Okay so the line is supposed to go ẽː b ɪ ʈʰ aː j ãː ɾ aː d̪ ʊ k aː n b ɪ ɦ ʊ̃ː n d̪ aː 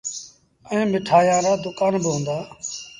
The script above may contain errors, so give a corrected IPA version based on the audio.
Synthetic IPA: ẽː m ɪ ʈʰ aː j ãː ɾ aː d̪ ʊ k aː n b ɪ ɦ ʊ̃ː n d̪ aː